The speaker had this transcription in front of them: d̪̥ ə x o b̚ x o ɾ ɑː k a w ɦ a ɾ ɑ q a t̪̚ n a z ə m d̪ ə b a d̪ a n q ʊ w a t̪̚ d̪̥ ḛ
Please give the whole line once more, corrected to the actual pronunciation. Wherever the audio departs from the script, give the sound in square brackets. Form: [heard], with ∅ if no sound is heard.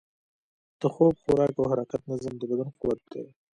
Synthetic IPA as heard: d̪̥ ə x o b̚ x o ɾ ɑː k a w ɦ a ɾ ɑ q a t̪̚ n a z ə m d̪ ə b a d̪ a n q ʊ w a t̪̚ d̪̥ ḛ